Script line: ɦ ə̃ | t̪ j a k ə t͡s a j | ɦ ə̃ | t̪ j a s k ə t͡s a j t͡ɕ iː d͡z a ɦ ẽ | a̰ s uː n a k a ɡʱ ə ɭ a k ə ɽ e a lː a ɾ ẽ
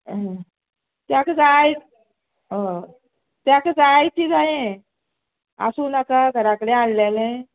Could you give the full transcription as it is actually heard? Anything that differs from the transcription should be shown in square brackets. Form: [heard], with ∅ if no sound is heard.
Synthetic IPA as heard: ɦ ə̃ | t̪ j a k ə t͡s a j | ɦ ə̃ | t̪ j a [∅] k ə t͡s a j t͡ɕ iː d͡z a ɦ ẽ | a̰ s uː n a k a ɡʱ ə [ɾ] a k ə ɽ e a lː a [l] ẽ